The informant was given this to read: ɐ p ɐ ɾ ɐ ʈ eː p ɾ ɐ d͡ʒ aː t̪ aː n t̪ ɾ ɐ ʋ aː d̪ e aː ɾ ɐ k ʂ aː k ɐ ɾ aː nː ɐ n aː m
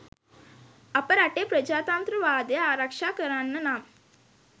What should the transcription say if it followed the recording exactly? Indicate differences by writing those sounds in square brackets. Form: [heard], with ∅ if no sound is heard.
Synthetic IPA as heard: ɐ p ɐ ɾ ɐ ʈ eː p ɾ ɐ d͡ʒ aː t̪ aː n t̪ ɾ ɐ ʋ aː d̪ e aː ɾ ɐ k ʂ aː k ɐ ɾ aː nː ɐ n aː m

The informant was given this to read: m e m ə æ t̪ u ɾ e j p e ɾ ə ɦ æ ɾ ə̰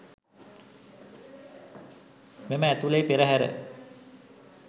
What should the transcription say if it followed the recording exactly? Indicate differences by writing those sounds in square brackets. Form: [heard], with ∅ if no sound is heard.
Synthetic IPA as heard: m e m ə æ t̪ u [l] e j p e ɾ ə ɦ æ ɾ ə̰

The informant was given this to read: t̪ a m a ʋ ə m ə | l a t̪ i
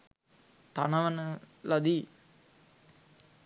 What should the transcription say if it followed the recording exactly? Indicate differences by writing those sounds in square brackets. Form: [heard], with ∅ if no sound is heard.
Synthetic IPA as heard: t̪ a [n] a ʋ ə [n] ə | l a [d̪] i

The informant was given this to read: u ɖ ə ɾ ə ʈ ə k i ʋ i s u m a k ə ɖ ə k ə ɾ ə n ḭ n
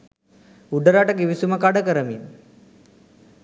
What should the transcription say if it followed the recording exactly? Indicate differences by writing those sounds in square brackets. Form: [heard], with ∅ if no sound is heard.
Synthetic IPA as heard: u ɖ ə ɾ [a] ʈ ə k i ʋ i s u m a k [a] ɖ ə k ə ɾ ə [m] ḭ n

